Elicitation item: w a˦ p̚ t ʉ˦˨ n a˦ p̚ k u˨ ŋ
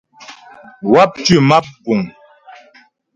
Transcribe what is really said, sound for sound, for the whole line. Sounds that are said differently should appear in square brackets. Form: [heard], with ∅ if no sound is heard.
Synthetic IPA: w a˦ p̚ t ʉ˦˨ [m] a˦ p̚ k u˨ ŋ